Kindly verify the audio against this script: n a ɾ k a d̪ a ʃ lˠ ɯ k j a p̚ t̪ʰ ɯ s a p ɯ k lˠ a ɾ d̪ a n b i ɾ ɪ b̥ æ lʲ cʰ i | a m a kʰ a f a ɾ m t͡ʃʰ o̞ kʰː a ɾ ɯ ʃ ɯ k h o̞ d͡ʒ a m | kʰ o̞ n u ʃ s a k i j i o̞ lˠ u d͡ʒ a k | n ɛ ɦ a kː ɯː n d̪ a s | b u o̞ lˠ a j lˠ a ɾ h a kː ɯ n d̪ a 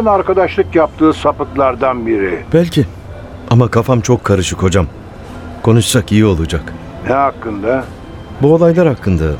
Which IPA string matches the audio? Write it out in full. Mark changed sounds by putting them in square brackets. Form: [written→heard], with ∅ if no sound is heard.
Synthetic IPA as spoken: n a ɾ k a d̪ a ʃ lˠ ɯ k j a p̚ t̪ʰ [ɯ→ɯː] s a p ɯ k lˠ a ɾ d̪ a n b i ɾ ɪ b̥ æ lʲ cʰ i | a m a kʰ a f a [ɾ→∅] m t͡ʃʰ o̞ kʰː a ɾ ɯ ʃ ɯ k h o̞ d͡ʒ a m | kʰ o̞ n u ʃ s a k i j i o̞ lˠ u d͡ʒ a k | n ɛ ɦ a kː [ɯː→ɯ] n d̪ a [s→∅] | b u o̞ lˠ a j lˠ a ɾ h a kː ɯ n d̪ a